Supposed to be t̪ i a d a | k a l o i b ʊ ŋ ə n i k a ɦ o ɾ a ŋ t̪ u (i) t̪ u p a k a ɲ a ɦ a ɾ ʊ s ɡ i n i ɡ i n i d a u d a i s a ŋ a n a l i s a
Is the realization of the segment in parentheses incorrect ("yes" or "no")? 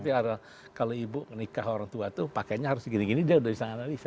yes